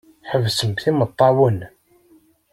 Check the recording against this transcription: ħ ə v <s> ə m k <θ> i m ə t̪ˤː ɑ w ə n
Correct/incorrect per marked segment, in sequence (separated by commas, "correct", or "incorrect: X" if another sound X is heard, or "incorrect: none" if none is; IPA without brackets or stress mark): correct, correct